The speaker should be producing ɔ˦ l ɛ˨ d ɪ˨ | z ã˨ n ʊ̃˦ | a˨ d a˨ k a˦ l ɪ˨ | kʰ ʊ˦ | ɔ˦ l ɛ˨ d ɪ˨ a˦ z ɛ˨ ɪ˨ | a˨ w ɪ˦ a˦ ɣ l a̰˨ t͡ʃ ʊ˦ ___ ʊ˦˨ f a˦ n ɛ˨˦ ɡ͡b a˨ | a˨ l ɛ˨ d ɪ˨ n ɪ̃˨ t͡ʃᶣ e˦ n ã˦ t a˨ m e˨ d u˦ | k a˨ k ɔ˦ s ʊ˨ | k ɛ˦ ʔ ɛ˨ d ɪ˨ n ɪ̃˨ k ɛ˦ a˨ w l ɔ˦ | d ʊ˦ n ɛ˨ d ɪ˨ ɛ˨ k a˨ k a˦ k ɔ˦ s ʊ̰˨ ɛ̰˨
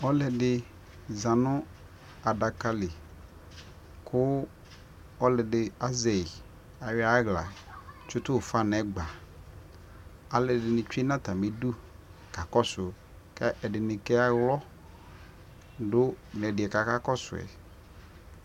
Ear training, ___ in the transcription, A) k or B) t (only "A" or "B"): B